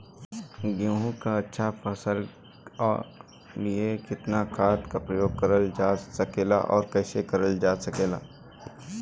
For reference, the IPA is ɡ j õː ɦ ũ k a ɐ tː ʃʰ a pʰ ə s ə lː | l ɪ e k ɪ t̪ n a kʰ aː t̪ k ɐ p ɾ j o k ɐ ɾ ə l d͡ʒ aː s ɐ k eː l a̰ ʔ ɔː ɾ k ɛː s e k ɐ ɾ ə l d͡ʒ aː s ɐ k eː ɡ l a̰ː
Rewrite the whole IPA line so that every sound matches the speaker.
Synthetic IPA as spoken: ɡ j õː ɦ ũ k a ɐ tː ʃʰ a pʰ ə s ə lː | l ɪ e k ɪ t̪ n a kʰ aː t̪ k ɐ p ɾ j o k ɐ ɾ ə l d͡ʒ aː s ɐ k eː l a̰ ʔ ɔː ɾ k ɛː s e k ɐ ɾ ə l d͡ʒ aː s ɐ k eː l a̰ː